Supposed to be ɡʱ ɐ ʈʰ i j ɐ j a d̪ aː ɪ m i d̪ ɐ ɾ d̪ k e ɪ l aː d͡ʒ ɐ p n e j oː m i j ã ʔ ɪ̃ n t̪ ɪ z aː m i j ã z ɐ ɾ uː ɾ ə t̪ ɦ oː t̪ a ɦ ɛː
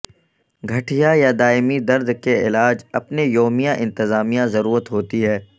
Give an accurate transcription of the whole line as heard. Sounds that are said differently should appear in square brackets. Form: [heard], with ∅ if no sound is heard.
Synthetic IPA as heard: ɡʱ ɐ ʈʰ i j [a] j a d̪ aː ɪ m i d̪ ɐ ɾ d̪ k e ɪ l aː d͡ʒ ɐ p n e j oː m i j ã ʔ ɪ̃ n t̪ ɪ z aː m i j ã z ɐ ɾ uː ɾ ə t̪ ɦ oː t̪ [i] ɦ ɛː